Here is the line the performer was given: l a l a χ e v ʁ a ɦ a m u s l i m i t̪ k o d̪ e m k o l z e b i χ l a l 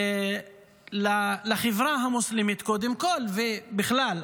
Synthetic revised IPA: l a l a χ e v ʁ a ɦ a m u s l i m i t̪ k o d̪ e m k o l v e b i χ l a l

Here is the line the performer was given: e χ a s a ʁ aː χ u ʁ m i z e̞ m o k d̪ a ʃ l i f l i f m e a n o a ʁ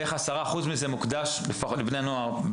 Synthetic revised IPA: e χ a s a ʁ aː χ u z m i z e̞ m u k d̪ a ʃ l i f l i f n e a n o a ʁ

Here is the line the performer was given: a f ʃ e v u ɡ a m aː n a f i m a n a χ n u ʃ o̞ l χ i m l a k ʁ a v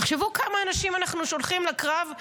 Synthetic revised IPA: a χ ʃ e v u k a m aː n a ʃ i m a n a χ n u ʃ o̞ l χ i m l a k ʁ a v

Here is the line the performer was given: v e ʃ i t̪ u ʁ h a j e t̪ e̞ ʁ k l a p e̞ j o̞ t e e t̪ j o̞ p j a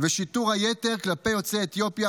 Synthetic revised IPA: v e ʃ i t̪ u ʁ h a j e t̪ e̞ ʁ k l a p e̞ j o̞ t͡s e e t̪ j o̞ p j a

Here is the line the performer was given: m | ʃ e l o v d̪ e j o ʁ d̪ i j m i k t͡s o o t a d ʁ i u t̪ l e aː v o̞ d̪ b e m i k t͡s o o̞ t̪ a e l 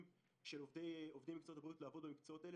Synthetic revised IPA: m | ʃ e l o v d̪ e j o v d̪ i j m i k t͡s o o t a b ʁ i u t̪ l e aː v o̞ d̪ b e m i k t͡s o o̞ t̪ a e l

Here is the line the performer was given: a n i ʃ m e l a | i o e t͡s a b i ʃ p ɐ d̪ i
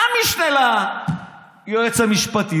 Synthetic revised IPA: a m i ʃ n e l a | j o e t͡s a m i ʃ p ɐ t̪ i

